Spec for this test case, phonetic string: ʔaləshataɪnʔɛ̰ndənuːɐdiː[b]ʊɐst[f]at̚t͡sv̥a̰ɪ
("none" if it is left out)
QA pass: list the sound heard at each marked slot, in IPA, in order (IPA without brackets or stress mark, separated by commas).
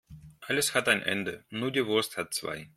v, h